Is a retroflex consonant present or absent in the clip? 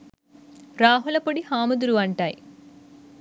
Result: present